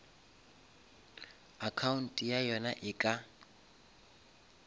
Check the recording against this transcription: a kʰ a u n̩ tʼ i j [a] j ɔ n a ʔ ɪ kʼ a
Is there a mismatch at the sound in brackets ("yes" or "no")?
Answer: no